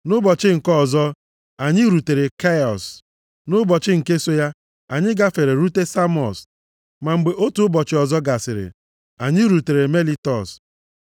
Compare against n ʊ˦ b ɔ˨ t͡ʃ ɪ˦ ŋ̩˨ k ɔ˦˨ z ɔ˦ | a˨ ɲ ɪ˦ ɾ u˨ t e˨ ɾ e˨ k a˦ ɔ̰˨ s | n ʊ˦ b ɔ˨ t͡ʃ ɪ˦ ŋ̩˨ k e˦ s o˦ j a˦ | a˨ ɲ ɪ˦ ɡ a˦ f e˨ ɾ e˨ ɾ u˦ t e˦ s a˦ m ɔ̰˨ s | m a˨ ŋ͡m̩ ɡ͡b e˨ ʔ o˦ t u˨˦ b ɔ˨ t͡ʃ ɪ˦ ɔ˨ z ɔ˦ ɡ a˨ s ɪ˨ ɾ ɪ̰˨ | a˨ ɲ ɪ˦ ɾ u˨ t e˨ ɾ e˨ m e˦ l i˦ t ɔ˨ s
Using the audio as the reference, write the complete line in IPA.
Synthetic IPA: n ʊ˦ b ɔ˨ t͡ʃ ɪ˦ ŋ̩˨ k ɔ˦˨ z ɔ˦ | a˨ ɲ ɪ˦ ɾ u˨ t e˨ ɾ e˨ k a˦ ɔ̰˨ s | n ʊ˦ b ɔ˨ t͡ʃ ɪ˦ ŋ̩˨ k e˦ s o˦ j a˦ | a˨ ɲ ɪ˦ ɡ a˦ f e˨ ɾ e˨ ɾ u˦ t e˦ s a˦ m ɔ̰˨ s | m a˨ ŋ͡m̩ ɡ͡b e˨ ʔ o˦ t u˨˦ b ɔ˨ t͡ʃ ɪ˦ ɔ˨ z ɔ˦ ɡ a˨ s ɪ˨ ɾ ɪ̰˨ | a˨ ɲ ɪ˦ ɾ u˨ t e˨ ɾ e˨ m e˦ l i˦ t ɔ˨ s